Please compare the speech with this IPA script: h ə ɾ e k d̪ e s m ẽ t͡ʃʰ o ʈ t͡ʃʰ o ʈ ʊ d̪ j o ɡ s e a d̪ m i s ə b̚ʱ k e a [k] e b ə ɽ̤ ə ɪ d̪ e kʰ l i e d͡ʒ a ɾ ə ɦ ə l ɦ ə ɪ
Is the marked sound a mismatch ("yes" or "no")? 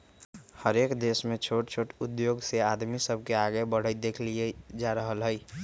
yes